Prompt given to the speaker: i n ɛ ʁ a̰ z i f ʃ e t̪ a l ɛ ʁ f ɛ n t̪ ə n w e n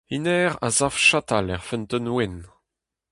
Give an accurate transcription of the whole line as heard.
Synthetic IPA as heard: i n ɛ ʁ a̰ z a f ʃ a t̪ a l ɛ ʁ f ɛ n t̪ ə n w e n